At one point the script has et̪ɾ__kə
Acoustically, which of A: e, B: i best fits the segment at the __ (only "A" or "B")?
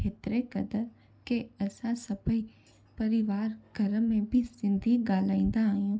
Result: A